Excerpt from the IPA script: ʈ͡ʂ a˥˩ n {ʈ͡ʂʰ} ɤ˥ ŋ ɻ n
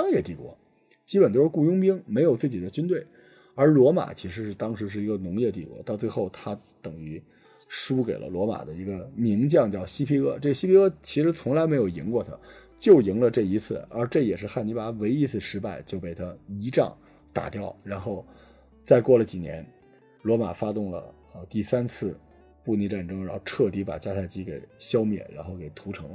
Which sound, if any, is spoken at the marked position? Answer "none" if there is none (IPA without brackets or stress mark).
ʈ͡ʂ